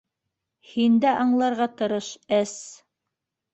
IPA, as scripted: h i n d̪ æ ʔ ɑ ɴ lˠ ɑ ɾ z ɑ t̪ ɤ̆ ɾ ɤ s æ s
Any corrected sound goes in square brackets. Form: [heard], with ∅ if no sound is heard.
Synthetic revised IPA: h i n d̪ æ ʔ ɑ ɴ lˠ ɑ ɾ [ʁ] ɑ t̪ ɤ̆ ɾ ɤ [ʃ] æ s